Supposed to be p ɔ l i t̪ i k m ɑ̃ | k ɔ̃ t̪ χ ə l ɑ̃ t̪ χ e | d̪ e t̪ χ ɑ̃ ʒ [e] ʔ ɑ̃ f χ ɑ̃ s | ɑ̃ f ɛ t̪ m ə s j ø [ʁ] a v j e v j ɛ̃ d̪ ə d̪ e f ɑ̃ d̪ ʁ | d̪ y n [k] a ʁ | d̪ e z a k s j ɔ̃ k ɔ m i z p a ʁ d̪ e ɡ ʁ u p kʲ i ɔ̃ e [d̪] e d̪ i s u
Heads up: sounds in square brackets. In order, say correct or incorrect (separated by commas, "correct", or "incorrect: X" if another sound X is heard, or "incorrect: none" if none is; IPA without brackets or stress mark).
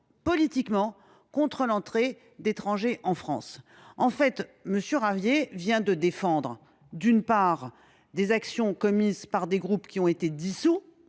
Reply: correct, correct, incorrect: p, incorrect: t̪